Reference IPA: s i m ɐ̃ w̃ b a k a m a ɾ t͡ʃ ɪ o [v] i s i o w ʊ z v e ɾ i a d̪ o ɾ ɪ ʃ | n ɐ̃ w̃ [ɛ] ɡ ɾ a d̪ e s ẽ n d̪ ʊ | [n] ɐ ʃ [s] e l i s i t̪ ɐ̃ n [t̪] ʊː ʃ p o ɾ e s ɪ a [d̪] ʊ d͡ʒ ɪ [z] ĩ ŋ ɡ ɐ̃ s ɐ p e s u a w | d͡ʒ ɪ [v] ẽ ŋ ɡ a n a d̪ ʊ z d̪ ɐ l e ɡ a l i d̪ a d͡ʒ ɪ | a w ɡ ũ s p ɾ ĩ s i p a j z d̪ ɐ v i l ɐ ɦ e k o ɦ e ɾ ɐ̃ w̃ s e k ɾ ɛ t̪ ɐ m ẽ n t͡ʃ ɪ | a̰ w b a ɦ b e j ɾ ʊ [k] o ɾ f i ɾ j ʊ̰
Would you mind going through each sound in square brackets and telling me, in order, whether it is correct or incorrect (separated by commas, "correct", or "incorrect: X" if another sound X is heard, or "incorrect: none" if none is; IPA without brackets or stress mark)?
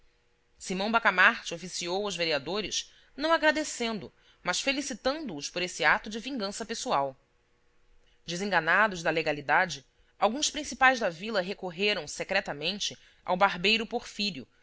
incorrect: f, incorrect: a, incorrect: m, incorrect: f, incorrect: d̪, incorrect: t̪, incorrect: v, incorrect: z, incorrect: p